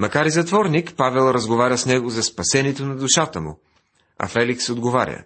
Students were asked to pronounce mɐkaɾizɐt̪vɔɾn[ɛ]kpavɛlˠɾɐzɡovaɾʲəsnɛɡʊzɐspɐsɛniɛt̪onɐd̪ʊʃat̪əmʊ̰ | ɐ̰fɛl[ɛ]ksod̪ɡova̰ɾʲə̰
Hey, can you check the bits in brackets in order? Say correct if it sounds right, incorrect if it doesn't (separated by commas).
incorrect, incorrect